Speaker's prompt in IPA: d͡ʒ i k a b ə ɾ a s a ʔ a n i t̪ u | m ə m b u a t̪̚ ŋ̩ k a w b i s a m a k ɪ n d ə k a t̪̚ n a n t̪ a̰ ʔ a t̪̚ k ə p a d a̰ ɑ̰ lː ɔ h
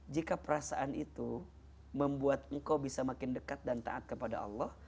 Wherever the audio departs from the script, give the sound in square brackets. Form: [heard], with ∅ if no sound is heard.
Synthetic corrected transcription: d͡ʒ i k a [p] ə ɾ a s a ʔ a n i t̪ u | m ə m b u a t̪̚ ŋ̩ k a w b i s a m a k ɪ n d ə k a t̪̚ [d] a n t̪ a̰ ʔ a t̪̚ k ə p a d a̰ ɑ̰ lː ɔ h